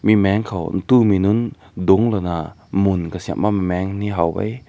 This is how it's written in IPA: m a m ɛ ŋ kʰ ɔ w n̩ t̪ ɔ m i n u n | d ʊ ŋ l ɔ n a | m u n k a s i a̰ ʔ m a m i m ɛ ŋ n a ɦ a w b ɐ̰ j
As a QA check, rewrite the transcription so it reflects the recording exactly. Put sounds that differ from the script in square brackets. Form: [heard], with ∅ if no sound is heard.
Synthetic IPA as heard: m [i] m ɛ ŋ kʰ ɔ w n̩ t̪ [u] m i n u n | d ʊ ŋ l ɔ n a | m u n k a s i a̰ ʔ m a m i m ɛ ŋ n [i] ɦ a w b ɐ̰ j